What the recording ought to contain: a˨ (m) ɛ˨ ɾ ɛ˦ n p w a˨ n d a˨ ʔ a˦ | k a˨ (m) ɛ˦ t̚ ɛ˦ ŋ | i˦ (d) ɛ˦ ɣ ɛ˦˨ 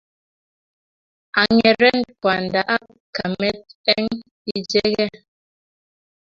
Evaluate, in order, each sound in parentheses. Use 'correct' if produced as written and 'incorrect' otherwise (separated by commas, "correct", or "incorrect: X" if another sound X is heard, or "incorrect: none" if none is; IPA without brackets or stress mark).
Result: incorrect: ŋ, correct, incorrect: d͡ʒ